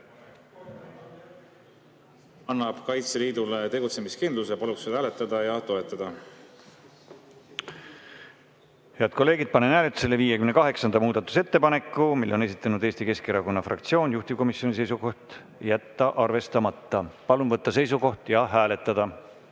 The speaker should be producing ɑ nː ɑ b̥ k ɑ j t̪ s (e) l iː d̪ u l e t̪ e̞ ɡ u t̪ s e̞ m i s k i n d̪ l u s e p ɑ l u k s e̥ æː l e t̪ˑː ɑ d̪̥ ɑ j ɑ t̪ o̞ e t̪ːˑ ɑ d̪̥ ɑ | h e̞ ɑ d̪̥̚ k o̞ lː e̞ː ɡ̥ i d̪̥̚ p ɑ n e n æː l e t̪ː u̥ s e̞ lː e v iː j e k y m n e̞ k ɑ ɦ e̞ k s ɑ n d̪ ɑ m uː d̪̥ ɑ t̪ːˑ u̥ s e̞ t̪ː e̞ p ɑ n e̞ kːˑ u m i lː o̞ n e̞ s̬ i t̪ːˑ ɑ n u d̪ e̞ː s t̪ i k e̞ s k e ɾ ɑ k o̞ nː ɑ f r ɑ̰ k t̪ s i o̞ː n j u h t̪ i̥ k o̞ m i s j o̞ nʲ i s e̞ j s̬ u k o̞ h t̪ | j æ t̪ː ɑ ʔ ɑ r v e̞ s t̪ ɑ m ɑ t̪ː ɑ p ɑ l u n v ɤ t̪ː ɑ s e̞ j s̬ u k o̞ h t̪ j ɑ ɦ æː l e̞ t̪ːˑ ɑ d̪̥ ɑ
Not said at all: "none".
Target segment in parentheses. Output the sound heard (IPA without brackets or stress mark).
e